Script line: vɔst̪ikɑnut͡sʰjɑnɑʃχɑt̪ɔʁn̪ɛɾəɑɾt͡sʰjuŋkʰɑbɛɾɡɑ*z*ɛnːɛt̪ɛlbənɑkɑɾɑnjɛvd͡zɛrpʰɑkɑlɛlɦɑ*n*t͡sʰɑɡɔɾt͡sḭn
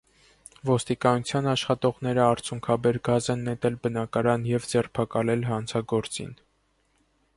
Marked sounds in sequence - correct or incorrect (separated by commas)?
correct, correct